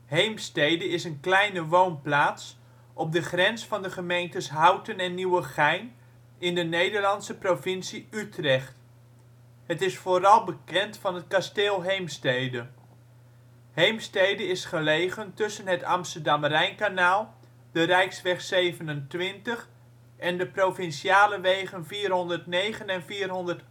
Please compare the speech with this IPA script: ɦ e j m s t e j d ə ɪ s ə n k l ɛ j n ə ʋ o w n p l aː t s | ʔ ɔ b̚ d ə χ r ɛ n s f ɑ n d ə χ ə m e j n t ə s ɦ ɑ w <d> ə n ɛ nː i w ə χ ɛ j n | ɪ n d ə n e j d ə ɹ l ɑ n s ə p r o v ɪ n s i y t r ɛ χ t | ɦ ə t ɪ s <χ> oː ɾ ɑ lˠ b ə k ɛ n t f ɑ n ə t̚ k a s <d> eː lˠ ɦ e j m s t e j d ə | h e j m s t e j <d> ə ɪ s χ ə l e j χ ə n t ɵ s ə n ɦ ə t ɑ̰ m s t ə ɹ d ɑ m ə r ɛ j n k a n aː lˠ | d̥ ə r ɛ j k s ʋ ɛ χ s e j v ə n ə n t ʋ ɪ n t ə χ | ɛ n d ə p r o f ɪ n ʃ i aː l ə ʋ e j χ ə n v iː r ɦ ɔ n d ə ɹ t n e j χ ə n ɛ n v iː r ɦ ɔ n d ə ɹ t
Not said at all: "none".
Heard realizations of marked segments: t, f, t, d

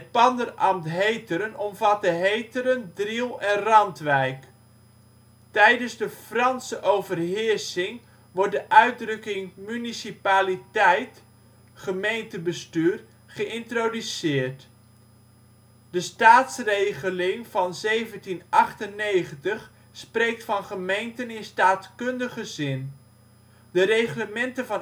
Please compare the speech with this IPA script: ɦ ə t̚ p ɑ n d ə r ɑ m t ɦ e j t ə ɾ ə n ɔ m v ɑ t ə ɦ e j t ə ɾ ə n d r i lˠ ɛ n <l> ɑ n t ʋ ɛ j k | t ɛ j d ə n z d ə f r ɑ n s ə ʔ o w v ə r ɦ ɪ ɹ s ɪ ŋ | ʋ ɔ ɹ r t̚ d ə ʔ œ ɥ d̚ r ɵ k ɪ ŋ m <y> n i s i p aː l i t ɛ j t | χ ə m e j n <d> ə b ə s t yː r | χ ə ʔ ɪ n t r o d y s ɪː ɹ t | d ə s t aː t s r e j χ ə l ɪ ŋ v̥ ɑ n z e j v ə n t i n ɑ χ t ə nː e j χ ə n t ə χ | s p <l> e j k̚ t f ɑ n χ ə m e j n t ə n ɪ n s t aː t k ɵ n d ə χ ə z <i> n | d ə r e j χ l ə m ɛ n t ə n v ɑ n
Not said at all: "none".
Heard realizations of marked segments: r, y, t, r, ɪ

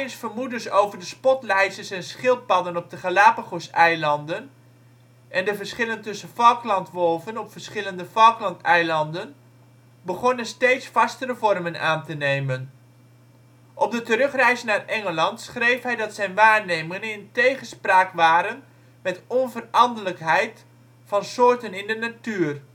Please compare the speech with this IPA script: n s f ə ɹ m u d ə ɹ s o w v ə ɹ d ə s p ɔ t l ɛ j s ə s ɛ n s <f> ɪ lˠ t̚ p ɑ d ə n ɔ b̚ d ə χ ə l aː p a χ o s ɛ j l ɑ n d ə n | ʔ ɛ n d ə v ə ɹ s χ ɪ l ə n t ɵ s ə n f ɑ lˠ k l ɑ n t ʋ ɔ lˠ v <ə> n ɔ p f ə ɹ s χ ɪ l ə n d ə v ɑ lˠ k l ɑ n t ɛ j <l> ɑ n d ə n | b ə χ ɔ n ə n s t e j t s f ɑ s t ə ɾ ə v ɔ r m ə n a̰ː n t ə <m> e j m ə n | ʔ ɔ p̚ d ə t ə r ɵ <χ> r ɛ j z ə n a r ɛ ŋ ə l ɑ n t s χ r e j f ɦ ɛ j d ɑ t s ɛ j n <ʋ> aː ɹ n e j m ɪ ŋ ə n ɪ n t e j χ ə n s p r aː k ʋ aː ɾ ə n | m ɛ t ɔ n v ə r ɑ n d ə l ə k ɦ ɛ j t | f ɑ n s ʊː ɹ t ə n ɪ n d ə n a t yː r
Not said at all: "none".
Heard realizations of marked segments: χ, ə, l, n, χ, ʋ

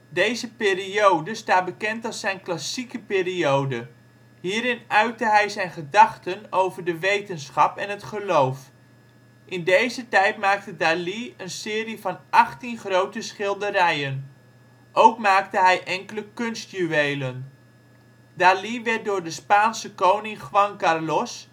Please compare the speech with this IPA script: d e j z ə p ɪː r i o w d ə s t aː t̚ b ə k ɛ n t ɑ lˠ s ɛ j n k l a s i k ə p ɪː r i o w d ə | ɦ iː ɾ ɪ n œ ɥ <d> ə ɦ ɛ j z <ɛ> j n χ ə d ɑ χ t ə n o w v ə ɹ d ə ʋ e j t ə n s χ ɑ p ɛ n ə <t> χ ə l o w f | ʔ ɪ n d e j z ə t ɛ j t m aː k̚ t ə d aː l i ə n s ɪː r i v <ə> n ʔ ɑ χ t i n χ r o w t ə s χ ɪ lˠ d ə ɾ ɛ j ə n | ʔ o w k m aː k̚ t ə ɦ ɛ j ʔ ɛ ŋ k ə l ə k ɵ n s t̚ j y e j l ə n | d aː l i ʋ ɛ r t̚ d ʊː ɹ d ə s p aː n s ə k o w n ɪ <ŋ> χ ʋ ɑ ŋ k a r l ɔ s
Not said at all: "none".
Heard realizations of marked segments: t, ɛ, t, ɑ, ŋ

